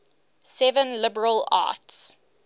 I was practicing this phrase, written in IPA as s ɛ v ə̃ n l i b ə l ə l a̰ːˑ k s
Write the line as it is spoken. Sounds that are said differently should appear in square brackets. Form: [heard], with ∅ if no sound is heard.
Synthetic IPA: s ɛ v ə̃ n l [ɪ] b ə [ɹ] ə l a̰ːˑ [t] s